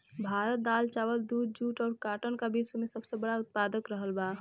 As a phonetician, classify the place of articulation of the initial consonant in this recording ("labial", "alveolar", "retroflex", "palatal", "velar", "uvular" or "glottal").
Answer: labial